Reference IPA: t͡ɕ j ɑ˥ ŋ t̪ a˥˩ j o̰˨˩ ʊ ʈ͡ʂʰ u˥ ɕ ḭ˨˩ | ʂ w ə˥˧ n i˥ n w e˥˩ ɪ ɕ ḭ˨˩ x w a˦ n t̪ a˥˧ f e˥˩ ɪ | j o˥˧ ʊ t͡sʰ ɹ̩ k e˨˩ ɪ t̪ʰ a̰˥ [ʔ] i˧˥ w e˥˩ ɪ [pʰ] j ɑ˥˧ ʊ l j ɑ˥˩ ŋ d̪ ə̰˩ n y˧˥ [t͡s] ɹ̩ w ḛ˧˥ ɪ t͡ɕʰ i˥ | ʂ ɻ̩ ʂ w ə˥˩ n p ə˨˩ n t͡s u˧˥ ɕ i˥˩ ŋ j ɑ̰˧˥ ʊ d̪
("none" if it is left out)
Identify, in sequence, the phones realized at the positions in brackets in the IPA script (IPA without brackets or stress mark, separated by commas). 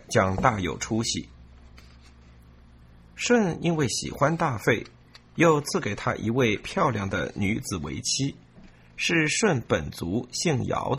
ʔ, pʰ, t͡s